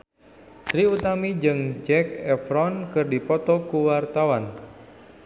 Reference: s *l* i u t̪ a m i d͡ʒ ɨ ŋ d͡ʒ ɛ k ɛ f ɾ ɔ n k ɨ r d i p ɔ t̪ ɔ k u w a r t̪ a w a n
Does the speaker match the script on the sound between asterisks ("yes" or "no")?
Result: no